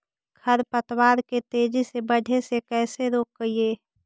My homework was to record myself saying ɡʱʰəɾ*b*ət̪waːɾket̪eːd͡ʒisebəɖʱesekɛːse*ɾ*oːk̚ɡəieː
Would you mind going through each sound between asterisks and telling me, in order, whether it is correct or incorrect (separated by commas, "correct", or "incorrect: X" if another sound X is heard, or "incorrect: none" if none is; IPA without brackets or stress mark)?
incorrect: p, correct